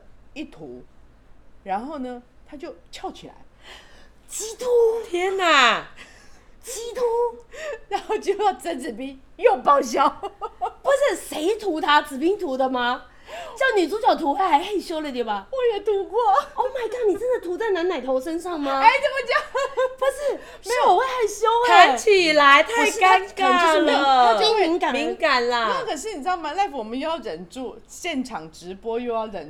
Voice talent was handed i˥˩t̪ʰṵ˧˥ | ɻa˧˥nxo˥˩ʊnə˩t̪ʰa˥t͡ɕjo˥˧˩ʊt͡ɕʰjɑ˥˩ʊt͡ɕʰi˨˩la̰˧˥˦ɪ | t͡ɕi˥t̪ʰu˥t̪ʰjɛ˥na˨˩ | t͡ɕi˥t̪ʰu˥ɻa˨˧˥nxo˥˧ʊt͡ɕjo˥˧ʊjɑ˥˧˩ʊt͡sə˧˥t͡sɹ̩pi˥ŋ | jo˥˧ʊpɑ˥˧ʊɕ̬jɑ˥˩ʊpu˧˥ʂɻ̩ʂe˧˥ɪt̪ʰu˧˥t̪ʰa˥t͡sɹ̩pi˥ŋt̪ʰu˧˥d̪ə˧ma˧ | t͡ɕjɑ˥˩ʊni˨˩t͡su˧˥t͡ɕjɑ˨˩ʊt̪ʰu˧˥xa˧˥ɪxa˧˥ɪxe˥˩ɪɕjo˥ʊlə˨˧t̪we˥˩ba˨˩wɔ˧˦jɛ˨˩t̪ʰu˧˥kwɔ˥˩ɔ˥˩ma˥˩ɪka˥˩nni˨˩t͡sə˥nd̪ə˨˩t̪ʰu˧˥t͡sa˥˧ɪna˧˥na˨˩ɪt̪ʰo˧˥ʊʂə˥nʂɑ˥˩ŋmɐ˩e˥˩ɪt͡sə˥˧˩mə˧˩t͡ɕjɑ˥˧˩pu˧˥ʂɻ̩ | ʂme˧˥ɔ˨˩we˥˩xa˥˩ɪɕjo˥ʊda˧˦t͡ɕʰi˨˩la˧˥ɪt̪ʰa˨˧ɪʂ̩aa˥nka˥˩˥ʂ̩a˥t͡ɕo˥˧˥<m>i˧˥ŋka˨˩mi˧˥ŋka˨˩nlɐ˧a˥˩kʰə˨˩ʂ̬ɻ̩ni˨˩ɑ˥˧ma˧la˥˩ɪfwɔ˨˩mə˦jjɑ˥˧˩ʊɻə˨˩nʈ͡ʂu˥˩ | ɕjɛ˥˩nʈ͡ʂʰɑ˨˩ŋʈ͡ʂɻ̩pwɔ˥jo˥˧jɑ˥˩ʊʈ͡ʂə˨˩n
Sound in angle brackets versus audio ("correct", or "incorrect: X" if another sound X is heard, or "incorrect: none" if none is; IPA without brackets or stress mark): correct